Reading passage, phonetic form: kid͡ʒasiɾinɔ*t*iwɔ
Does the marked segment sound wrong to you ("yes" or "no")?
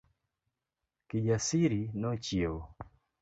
yes